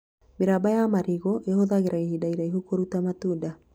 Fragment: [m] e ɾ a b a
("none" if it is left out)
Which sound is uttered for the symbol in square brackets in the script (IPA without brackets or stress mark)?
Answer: m